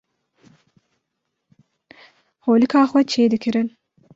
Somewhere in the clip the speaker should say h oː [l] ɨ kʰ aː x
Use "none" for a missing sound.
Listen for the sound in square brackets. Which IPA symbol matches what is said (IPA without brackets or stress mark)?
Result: l